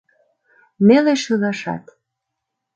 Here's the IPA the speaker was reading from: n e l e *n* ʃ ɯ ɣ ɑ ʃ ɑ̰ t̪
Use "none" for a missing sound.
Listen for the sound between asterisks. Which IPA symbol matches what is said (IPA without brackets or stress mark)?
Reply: none